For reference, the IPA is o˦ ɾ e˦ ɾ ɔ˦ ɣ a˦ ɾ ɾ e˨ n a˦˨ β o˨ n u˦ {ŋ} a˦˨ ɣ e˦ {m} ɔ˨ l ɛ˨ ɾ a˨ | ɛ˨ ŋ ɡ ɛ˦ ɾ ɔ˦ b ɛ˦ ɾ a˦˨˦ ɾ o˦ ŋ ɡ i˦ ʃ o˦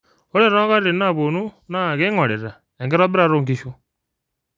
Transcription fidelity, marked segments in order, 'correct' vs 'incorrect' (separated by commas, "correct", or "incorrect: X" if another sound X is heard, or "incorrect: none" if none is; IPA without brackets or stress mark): incorrect: n, incorrect: ŋ